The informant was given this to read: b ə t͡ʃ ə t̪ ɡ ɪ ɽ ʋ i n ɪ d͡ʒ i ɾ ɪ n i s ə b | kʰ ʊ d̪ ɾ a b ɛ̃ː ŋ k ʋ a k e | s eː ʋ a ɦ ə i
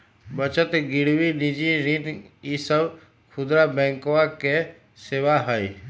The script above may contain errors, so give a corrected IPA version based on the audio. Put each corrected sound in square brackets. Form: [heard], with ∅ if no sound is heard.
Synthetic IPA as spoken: b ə t͡ʃ ə t̪ ɡ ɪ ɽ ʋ i n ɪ d͡ʒ i ɾ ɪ n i s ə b | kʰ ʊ d̪ ɾ a b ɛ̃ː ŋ k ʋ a k e | s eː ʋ a ɦ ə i